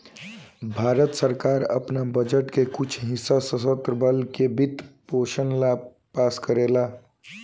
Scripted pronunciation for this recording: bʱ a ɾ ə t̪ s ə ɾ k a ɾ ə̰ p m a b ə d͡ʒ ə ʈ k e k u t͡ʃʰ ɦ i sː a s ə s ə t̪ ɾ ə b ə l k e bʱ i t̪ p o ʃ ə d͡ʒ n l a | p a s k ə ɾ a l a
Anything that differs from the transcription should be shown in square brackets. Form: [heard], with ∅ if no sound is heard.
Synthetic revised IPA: bʱ a ɾ ə t̪ s ə ɾ k a ɾ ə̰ p [n] a b ə d͡ʒ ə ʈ k e k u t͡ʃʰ ɦ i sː a s ə s ə t̪ ɾ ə b ə l k e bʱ i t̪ p o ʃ ə [∅] n l a | p a s k ə ɾ [e] l a